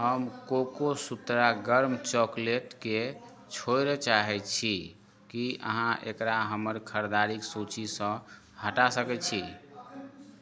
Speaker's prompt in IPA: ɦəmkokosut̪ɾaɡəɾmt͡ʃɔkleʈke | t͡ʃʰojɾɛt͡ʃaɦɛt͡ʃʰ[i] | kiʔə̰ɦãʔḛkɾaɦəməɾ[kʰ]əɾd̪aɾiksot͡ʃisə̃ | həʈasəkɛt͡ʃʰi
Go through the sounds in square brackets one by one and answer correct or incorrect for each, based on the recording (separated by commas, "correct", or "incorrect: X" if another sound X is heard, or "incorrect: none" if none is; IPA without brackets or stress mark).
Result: correct, correct